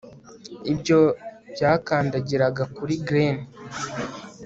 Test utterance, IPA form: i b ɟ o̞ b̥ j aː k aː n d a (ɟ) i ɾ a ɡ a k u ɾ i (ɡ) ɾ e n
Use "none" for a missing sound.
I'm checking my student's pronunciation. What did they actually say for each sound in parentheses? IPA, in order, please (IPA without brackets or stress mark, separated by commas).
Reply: ɟ, ɡ